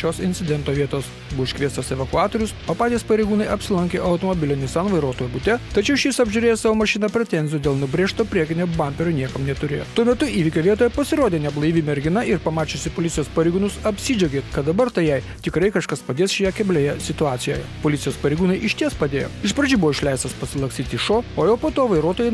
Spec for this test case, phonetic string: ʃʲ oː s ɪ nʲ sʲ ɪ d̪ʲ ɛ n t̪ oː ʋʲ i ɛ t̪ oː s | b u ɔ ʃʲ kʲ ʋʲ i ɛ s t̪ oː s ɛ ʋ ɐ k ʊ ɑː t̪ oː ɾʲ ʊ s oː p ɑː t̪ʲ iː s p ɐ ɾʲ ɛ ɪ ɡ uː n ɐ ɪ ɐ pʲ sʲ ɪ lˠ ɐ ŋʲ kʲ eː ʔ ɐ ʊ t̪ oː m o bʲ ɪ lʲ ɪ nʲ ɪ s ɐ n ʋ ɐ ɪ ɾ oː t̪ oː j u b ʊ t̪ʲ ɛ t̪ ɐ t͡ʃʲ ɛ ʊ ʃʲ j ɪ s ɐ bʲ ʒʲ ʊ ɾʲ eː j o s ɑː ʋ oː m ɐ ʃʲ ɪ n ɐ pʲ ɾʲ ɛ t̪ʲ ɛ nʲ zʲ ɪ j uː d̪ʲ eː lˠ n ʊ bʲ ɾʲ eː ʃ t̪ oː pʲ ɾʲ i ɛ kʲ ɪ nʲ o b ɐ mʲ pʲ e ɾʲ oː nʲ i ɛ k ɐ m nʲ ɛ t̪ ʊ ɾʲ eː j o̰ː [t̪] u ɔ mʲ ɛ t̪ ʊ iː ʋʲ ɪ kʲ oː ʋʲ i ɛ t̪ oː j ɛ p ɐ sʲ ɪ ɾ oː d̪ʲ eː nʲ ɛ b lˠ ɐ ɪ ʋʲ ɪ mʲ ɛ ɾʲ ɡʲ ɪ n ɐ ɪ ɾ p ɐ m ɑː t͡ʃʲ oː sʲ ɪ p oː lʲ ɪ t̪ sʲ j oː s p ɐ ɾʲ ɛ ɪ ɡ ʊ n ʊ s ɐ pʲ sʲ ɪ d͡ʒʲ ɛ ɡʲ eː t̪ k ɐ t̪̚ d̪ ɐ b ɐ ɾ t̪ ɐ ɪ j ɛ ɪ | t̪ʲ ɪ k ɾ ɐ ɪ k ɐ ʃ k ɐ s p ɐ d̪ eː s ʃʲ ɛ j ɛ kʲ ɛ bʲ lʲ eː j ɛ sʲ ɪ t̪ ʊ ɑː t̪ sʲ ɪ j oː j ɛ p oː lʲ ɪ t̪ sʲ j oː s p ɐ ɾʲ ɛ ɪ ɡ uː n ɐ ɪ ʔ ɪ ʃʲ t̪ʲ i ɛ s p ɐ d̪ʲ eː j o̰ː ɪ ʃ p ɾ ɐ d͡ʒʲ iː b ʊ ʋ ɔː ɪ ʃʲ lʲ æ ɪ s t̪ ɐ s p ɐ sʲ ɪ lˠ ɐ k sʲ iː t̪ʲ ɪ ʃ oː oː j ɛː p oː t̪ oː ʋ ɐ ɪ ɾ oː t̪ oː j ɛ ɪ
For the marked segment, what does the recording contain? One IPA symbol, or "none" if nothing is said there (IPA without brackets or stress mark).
t̪